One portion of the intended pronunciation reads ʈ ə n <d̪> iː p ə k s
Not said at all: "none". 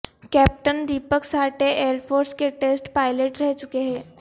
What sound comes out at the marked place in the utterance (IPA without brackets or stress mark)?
d̪